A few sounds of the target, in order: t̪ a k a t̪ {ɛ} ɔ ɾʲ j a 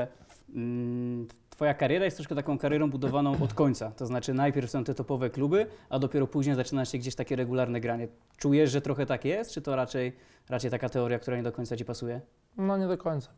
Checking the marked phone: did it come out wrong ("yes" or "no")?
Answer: no